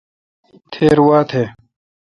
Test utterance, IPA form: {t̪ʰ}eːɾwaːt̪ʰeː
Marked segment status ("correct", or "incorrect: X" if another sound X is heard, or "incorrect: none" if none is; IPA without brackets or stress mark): correct